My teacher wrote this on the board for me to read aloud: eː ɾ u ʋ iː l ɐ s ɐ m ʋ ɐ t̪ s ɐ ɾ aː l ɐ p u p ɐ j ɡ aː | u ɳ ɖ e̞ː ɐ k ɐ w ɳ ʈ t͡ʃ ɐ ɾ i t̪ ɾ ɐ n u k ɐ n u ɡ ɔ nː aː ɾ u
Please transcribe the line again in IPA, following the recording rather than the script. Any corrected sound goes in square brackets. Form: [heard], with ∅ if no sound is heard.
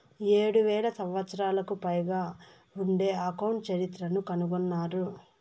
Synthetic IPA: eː [ɽ] u ʋ [ɛː] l ɐ s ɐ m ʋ ɐ t̪ s ɐ ɾ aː l ɐ [k] u p ɐ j ɡ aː | u ɳ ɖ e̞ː ɐ k ɐ w ɳ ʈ t͡ʃ ɐ ɾ i t̪ ɾ ɐ n u k ɐ n u ɡ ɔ nː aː ɾ u